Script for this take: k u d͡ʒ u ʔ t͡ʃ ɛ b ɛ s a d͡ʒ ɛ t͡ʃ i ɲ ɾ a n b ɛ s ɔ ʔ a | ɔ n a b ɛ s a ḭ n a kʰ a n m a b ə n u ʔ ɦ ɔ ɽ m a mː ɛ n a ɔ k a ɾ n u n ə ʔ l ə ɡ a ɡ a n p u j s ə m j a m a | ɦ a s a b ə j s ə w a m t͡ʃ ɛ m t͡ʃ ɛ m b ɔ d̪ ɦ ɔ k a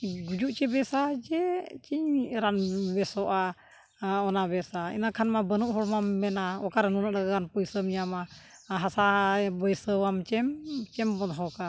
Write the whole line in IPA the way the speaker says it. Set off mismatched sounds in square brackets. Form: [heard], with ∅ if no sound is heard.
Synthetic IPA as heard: [ɡ] u d͡ʒ u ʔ t͡ʃ ɛ b ɛ s a d͡ʒ ɛ t͡ʃ i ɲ ɾ a n b ɛ s ɔ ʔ a | ɔ n a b ɛ s a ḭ n a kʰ a n m a b ə n u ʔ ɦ ɔ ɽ m a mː ɛ n a ɔ k a ɾ n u n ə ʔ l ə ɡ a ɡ a n p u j s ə m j a m a | ɦ a s a b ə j s ə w a m t͡ʃ ɛ m t͡ʃ ɛ m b ɔ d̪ ɦ ɔ k a